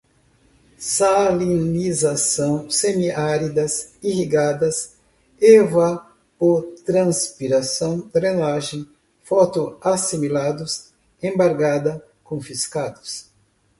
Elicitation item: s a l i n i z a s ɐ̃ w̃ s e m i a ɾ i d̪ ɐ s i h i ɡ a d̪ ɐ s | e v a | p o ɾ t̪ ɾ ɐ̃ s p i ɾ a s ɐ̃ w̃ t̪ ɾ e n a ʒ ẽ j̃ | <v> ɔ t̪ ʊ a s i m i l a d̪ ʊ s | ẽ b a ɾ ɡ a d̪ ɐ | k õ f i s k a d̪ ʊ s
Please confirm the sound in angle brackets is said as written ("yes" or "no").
no